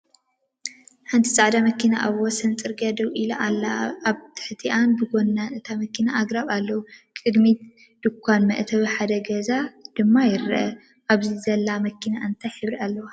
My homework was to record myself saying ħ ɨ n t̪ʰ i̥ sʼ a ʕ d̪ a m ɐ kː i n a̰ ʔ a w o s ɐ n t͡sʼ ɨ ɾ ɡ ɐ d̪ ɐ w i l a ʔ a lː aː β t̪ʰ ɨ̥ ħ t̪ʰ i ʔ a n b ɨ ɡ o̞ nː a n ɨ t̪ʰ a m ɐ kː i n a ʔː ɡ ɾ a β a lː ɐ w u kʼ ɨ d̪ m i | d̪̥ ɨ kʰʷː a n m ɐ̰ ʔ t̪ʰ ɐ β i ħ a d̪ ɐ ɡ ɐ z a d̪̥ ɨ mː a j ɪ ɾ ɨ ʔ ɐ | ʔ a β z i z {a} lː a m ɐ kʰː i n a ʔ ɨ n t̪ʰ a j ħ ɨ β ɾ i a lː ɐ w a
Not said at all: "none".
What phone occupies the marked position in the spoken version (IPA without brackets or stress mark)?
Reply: ɐ